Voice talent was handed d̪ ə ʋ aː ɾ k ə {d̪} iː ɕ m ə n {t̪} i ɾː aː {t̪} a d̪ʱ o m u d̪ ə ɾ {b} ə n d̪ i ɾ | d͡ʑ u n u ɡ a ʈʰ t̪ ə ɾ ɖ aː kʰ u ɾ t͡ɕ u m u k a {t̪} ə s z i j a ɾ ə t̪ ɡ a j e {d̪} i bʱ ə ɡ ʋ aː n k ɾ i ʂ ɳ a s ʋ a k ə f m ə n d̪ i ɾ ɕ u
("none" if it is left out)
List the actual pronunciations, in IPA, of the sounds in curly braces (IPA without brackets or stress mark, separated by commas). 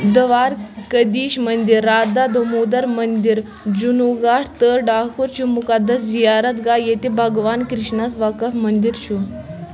d̪, d̪, d̪, m, d̪, t̪